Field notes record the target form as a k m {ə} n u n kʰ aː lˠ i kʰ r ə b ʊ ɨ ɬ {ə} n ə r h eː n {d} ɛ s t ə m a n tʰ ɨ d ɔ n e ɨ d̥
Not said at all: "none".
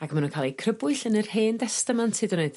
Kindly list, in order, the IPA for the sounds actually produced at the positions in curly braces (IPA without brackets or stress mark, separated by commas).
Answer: a, ə, d